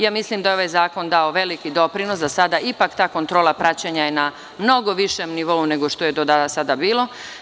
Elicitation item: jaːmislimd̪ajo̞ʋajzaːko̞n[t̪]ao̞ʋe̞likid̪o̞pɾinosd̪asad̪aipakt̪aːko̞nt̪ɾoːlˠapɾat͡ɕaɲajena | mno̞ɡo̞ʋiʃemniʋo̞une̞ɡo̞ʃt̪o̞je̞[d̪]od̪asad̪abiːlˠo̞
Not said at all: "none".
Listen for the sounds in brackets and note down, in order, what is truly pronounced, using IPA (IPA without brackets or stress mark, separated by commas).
d̪, d̪